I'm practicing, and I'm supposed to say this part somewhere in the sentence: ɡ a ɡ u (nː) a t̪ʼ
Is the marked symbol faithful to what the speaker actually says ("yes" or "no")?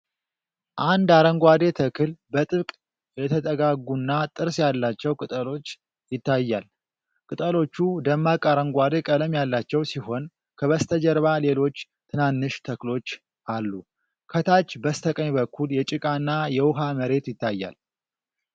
yes